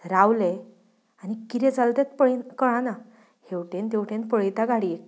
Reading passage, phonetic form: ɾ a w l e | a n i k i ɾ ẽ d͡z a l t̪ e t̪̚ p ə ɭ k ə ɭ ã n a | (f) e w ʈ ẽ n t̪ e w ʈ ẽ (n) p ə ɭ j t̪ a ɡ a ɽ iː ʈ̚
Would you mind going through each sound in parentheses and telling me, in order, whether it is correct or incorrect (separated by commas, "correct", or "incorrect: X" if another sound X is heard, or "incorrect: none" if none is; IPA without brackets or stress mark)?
incorrect: h, correct